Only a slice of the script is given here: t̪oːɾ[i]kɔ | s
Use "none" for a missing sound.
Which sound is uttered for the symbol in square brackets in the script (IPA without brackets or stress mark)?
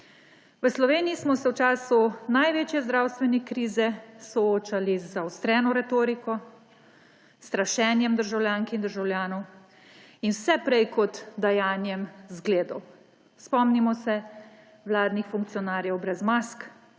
i